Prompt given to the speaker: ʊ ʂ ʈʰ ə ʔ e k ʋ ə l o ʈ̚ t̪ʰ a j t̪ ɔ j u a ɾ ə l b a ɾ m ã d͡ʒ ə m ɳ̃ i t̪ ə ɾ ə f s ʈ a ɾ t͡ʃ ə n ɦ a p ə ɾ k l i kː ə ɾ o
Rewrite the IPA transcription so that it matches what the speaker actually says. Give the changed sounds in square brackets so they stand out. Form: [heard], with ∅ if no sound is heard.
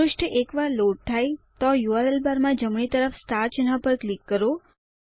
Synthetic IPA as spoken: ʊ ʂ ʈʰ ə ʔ e k ʋ [a] l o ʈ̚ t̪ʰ a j t̪ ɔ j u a ɾ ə l b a ɾ m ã d͡ʒ ə m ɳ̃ i t̪ ə ɾ ə f s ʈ a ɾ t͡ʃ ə n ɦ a p ə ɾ k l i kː ə ɾ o